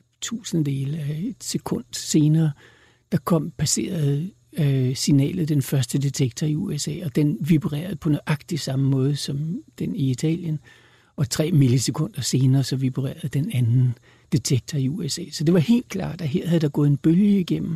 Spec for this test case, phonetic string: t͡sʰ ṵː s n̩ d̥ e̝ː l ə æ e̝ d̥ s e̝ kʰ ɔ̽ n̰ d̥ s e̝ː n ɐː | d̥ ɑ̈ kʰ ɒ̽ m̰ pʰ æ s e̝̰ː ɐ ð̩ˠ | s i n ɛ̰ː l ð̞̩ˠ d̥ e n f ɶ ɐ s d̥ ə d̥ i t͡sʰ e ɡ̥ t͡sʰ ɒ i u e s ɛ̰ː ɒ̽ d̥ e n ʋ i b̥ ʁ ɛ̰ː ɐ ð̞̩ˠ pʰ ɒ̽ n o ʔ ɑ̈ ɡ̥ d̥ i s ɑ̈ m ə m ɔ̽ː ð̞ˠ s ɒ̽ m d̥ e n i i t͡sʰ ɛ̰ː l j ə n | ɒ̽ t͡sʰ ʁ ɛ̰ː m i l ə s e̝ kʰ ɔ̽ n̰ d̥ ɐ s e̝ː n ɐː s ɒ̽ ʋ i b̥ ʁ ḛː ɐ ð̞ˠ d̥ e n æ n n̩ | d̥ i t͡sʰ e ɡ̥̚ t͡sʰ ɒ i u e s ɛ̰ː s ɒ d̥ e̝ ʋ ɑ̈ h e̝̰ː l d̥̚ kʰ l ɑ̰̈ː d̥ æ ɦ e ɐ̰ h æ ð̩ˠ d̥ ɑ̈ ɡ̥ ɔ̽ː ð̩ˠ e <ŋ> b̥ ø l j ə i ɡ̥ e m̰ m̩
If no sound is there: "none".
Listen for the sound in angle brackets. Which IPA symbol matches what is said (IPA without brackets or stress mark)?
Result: n